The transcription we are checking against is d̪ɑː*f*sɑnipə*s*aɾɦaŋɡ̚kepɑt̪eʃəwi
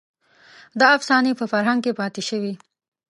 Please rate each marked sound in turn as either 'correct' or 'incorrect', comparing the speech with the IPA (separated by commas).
correct, incorrect